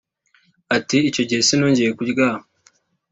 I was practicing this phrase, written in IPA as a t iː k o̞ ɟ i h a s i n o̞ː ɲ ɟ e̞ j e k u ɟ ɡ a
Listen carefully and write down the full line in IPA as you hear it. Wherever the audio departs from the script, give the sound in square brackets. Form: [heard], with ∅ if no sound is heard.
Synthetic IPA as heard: a t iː [c] o̞ ɟ i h [e] s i n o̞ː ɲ ɟ e̞ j e k u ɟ ɡ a